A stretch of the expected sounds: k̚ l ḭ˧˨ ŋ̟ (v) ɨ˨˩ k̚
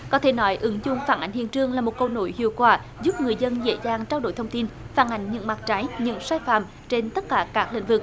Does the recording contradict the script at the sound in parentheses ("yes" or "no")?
no